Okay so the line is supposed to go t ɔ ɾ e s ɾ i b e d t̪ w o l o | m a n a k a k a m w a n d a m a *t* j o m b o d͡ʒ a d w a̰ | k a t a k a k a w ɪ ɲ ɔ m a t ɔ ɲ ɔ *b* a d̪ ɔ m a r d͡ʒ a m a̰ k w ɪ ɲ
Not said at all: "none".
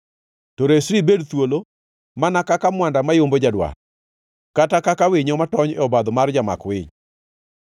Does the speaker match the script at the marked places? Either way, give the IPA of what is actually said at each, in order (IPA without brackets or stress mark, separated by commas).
none, b